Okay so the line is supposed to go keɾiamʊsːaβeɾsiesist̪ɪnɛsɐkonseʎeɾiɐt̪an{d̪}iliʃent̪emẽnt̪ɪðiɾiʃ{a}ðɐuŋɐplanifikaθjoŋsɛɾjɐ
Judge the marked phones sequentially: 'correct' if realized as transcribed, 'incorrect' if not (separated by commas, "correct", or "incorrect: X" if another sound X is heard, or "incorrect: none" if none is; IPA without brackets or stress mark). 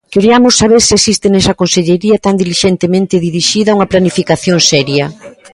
correct, incorrect: i